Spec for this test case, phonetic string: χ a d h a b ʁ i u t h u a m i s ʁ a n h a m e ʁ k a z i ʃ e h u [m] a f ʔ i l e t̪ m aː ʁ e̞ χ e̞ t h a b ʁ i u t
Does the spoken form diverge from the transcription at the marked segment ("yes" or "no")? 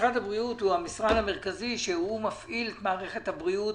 no